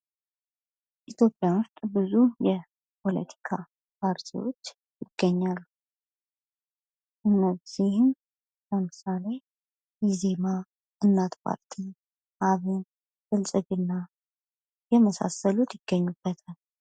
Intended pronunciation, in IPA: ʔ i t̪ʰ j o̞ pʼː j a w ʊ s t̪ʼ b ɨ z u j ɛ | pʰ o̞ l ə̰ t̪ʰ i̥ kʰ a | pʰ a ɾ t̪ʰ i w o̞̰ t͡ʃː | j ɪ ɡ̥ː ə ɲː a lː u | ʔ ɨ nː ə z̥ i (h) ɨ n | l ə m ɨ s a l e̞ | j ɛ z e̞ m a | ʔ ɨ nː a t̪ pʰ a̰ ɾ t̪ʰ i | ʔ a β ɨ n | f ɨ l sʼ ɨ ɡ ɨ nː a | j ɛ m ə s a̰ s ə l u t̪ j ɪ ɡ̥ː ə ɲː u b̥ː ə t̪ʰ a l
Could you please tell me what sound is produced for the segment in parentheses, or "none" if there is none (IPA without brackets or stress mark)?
h